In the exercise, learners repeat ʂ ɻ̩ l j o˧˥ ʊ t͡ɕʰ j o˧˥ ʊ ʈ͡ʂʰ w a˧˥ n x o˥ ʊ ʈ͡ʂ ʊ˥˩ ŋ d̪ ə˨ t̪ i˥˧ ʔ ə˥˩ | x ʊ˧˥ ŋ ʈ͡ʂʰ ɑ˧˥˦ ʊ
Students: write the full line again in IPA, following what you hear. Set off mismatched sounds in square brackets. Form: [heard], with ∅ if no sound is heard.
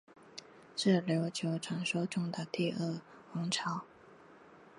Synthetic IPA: ʂ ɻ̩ l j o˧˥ ʊ t͡ɕʰ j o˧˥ ʊ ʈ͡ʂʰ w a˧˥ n [ʂ] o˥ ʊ ʈ͡ʂ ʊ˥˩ ŋ d̪ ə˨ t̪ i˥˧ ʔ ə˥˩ | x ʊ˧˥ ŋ ʈ͡ʂʰ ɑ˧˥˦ ʊ